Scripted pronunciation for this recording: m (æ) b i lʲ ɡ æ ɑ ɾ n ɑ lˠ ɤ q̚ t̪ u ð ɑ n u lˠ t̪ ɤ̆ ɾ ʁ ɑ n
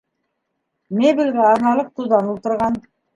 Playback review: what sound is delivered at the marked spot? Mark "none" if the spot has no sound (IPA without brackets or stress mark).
e